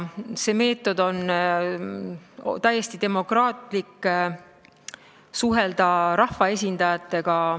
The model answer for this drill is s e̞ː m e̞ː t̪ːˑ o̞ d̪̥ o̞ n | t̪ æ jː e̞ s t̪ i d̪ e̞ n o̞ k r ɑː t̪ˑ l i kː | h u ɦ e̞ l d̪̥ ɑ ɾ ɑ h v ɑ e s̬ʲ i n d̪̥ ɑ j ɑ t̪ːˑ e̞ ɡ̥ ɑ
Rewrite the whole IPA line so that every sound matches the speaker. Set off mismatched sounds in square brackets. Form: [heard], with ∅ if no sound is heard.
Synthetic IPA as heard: s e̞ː m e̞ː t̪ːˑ o̞ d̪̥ o̞ n | t̪ æ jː e̞ s t̪ i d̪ e̞ [m] o̞ k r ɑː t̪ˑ l i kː | [s] u ɦ e̞ l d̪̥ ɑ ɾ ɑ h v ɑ e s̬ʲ i n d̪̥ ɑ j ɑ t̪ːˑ e̞ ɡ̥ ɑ